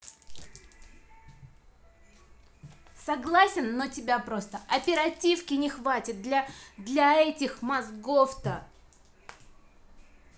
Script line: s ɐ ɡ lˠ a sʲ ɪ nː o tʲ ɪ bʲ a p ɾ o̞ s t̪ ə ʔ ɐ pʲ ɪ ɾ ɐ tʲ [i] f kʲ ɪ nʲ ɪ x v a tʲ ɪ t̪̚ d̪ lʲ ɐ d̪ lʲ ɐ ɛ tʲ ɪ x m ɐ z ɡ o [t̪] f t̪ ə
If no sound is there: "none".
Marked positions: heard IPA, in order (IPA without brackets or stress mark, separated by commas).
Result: i, none